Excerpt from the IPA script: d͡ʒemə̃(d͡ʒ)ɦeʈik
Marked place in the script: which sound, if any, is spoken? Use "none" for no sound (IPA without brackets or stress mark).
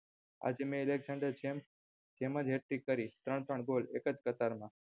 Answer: d͡ʒ